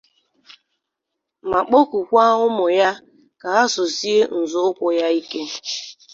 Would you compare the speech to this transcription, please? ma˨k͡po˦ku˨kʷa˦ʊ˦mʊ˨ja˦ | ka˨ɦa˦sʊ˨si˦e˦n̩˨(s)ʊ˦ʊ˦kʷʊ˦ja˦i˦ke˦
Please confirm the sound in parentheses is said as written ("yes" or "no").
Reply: no